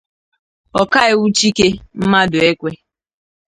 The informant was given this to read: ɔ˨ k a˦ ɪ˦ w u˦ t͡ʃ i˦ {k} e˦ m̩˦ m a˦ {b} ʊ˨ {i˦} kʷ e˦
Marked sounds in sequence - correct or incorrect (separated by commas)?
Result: correct, incorrect, incorrect